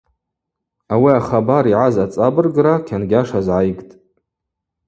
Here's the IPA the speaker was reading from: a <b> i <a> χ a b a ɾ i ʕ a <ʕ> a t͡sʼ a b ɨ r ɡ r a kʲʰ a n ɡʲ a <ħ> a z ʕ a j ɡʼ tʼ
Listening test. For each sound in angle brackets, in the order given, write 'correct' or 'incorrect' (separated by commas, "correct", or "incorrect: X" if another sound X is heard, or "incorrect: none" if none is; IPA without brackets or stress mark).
incorrect: w, correct, incorrect: z, incorrect: ʂ